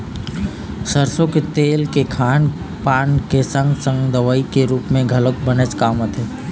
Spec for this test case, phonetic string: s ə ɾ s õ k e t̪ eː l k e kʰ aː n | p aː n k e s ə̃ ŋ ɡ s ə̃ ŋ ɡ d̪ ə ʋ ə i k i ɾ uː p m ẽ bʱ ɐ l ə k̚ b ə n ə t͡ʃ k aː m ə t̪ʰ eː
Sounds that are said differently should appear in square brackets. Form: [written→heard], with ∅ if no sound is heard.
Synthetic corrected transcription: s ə ɾ s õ k e t̪ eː l k e kʰ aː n | p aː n k e s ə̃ ŋ ɡ s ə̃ ŋ ɡ d̪ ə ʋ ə i k [i→e] ɾ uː p m ẽ [bʱ→ɡʱ] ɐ l ə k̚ b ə n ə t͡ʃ k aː m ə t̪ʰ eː

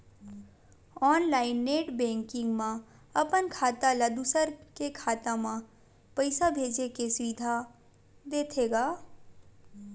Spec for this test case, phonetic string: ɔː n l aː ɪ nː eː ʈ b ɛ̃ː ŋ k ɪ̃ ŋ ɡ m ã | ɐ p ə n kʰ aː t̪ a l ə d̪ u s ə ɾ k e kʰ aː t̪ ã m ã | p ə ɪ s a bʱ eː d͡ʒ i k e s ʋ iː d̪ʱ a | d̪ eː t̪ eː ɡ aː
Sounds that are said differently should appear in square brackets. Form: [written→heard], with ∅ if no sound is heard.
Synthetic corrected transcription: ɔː n l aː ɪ nː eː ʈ b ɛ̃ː ŋ k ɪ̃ ŋ ɡ m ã | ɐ p ə n kʰ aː t̪ a l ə d̪ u s ə ɾ k e kʰ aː t̪ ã m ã | p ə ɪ s a bʱ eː d͡ʒ [i→e] k e s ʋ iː d̪ʱ a | d̪ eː [t̪→t̪ʰ] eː ɡ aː

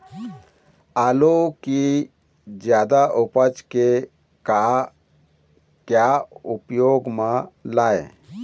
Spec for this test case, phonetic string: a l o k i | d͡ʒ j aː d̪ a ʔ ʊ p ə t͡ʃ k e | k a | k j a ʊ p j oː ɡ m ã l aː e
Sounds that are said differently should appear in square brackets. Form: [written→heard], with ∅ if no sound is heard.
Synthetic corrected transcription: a l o k i | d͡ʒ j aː d̪ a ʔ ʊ p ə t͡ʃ k e | k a | k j a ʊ p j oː ɡ m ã l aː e

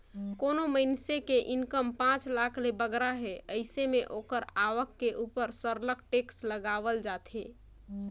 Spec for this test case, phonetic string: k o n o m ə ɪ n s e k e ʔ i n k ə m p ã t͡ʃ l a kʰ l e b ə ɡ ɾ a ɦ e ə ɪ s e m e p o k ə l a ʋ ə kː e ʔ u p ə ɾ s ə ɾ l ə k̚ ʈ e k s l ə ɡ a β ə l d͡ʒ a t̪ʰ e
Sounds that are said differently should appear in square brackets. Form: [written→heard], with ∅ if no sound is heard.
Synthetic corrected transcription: k o n o m ə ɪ n s e k e ʔ i n k ə m p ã t͡ʃ l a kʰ l e b ə ɡ ɾ a ɦ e ə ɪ s e m e [p→ʔ] o k ə [l→ɾ] a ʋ ə kː e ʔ u p ə ɾ s ə ɾ l ə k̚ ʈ e k s l ə ɡ a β ə l d͡ʒ a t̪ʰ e

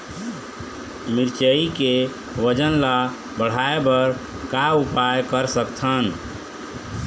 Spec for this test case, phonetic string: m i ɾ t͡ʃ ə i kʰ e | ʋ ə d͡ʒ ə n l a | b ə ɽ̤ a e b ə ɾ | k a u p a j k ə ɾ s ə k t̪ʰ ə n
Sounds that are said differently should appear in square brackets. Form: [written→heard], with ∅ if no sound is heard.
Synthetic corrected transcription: m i ɾ t͡ʃ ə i [kʰ→k] e | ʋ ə d͡ʒ ə n l a | b ə ɽ̤ a e b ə ɾ | k a u p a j k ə ɾ s ə k t̪ʰ ə n

